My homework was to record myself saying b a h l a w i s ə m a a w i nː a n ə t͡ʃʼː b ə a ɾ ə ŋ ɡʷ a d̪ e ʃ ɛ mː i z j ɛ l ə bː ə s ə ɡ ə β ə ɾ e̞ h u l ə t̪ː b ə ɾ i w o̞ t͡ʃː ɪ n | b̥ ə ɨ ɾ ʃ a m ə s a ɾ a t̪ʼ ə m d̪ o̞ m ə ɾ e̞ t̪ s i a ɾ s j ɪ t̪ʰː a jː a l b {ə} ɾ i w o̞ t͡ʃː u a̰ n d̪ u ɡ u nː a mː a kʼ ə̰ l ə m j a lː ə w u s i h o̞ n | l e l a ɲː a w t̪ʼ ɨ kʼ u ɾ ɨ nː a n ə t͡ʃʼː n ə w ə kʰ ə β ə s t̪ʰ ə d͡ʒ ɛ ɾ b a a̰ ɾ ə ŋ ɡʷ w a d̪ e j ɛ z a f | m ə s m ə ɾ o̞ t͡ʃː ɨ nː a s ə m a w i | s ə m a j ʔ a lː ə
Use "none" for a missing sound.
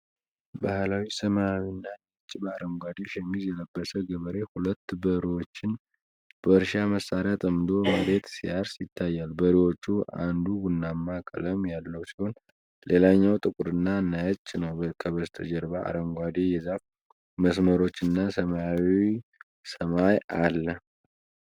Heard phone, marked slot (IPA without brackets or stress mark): ə